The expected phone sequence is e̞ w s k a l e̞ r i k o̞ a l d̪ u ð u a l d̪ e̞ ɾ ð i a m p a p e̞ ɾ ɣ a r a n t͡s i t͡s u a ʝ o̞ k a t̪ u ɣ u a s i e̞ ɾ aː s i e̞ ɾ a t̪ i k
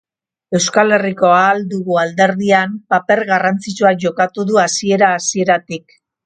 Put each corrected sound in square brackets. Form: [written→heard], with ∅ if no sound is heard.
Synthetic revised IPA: e̞ w s k a l e̞ r i k o̞ a l d̪ u [ð→ɣ] u a l d̪ e̞ ɾ ð i a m p a p e̞ ɾ ɣ a r a n t͡s i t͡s u a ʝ o̞ k a t̪ u [ɣ→ð] u a s i e̞ ɾ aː s i e̞ ɾ a t̪ i k